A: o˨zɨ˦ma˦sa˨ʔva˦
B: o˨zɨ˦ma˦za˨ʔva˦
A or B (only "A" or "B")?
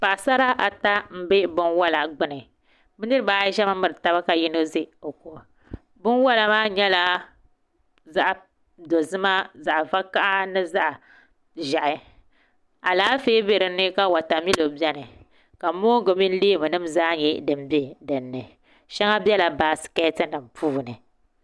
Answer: B